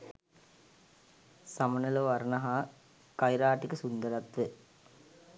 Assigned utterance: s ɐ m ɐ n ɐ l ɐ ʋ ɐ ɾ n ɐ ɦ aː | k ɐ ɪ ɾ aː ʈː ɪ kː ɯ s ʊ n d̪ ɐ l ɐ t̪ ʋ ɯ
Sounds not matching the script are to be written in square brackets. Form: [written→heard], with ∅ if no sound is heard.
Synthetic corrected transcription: s ɐ m ɐ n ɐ l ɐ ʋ ɐ ɾ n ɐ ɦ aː | k ɐ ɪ ɾ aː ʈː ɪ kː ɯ s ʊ n d̪ ɐ [l→ɾ] ɐ t̪ ʋ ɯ